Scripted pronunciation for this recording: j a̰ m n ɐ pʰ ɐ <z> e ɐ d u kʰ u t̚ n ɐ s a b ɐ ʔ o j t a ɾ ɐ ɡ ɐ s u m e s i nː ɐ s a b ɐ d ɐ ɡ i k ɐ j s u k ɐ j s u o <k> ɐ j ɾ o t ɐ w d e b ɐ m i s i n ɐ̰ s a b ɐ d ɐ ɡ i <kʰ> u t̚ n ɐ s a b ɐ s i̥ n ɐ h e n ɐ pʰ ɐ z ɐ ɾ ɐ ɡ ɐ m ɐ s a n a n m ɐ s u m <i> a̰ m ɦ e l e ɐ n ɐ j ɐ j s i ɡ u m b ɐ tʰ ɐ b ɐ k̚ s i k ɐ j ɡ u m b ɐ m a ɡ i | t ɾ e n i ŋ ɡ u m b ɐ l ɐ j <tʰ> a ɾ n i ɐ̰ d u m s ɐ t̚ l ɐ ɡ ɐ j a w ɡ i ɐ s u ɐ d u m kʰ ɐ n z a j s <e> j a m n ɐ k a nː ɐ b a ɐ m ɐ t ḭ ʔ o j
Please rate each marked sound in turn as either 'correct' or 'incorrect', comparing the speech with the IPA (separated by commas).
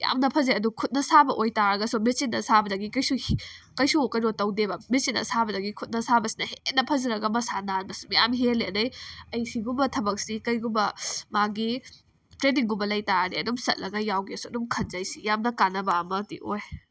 correct, correct, correct, incorrect, incorrect, incorrect